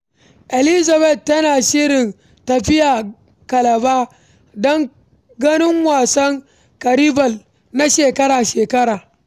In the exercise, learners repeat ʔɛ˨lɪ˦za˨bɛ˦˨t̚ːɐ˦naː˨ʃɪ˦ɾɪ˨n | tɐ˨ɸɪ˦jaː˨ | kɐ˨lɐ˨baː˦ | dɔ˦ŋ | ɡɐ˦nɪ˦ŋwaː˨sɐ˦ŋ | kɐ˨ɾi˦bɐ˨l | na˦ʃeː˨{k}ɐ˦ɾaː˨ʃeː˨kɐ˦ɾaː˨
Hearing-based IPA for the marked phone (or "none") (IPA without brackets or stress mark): k